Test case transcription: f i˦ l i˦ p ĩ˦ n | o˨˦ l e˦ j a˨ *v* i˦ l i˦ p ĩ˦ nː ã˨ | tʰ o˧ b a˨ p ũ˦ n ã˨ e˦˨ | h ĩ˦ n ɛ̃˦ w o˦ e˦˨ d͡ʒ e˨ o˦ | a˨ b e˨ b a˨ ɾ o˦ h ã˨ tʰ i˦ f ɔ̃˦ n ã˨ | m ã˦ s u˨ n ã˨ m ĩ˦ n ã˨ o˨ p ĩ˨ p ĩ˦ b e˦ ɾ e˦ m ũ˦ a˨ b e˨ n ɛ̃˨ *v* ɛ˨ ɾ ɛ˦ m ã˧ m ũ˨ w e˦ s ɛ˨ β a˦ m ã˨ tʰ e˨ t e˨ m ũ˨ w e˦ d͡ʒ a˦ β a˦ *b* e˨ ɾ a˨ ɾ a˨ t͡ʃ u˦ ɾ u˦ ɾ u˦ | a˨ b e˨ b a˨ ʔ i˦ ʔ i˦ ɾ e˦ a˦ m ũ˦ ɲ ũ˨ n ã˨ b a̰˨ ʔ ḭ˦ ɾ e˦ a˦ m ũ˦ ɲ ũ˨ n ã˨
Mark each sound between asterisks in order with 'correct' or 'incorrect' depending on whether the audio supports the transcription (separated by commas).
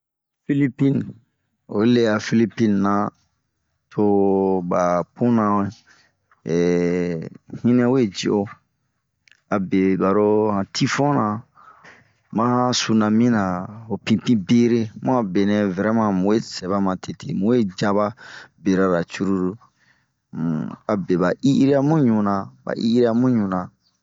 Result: incorrect, correct, correct